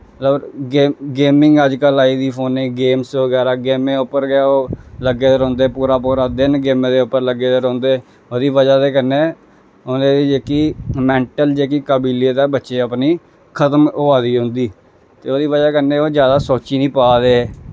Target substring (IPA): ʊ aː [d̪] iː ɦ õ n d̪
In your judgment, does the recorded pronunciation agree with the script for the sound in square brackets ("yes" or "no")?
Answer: yes